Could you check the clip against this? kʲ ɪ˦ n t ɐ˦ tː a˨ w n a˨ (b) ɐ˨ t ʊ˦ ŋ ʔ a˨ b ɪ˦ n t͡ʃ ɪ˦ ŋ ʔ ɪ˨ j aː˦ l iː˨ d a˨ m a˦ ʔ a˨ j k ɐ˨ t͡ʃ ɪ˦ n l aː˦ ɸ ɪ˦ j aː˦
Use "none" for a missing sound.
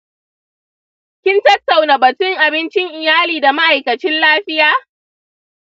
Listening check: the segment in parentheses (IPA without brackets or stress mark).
b